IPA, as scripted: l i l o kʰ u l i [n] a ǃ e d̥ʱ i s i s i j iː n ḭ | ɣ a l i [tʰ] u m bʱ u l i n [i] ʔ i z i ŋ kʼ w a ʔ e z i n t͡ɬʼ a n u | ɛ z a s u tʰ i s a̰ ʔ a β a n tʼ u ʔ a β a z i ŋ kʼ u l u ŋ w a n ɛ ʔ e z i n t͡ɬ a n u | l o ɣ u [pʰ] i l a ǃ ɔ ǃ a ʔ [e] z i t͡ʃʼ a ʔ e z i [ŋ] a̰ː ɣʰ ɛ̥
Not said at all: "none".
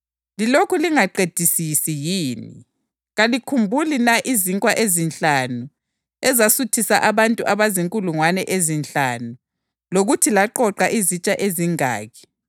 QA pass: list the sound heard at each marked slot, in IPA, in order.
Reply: ŋ, kʰ, a, tʰ, i, ŋ

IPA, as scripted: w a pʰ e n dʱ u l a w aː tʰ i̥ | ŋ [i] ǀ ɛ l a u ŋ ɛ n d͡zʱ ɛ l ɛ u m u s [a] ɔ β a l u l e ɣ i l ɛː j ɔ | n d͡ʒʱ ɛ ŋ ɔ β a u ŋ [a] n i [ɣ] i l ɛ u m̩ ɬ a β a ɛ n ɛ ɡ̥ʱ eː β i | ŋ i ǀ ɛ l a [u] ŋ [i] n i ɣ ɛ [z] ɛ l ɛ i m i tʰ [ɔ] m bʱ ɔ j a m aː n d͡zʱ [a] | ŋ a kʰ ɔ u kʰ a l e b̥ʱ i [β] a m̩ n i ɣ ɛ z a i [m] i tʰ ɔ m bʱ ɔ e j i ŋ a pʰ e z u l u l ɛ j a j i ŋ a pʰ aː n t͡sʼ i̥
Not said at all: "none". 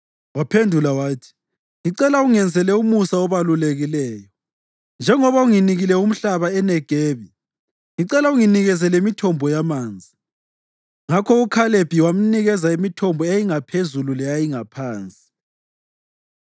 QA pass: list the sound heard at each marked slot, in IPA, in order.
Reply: i, a, i, ɣ, u, i, z, ɔ, i, w, m

